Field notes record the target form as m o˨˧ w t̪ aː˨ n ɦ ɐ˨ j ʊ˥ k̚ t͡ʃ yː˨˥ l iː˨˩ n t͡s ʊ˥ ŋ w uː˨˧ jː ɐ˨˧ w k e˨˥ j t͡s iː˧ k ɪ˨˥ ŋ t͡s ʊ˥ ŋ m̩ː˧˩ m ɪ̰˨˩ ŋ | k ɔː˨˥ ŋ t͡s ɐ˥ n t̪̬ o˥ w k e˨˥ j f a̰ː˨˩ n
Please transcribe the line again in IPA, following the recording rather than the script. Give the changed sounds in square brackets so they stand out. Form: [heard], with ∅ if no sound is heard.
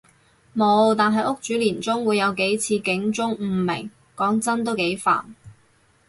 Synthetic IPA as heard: m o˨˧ w t̪ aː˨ n ɦ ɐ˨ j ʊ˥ k̚ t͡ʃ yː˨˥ l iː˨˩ n t͡s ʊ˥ ŋ w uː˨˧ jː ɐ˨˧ w k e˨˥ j [t͡sʰ] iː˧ k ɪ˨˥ ŋ t͡s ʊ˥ ŋ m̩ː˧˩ m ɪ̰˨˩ ŋ | k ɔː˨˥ ŋ t͡s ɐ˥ n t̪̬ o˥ w k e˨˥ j f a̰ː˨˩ n